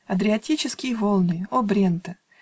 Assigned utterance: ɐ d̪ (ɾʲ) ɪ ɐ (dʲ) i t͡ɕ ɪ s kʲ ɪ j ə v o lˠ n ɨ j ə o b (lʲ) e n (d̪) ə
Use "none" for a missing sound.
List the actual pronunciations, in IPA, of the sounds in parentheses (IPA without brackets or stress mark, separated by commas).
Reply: ɾʲ, tʲ, ɾʲ, t̪